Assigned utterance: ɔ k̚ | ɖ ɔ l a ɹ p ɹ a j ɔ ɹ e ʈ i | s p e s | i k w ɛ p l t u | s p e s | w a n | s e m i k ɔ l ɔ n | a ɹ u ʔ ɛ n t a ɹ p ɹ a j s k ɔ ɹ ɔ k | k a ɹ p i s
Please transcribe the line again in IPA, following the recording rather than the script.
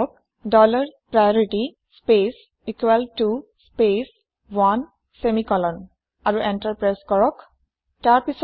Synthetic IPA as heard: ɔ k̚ | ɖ ɔ l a ɹ p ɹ a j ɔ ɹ i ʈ i | s p e s | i k w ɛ l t u | s p e s | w a n | s e m i k ɔ l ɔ n | a ɹ u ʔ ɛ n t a ɹ p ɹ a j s k ɔ ɹ ɔ k | t a ɹ p i s